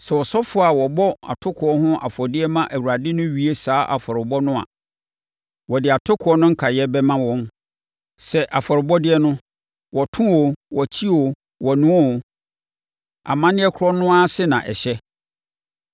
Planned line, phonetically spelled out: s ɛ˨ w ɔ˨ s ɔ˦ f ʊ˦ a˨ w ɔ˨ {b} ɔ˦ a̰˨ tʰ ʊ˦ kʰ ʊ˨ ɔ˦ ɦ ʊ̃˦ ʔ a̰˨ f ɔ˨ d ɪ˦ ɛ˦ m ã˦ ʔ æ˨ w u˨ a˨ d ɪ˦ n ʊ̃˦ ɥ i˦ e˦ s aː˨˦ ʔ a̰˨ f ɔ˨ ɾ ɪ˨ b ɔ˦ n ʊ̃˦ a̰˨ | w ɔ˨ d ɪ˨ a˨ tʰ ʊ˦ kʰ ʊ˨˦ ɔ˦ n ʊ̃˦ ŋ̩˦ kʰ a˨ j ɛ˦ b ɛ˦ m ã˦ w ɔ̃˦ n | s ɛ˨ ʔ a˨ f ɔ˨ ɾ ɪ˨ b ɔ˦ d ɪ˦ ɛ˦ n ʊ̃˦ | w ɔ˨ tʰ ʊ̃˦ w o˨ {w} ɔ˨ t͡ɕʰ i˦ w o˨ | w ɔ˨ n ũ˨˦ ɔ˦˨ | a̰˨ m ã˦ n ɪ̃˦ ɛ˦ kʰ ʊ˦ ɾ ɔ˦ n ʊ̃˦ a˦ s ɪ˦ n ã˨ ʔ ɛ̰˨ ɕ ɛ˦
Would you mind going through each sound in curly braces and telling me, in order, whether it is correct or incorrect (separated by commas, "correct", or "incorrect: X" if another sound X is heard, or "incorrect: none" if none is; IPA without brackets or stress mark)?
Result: correct, correct